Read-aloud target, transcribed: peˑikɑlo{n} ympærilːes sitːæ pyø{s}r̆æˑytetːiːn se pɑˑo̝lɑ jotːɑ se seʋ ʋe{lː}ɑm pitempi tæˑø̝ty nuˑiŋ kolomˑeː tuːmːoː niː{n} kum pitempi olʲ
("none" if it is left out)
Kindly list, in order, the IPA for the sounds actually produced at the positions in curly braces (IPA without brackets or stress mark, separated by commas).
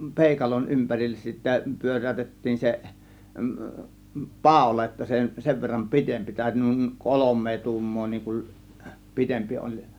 n, none, rː, ŋ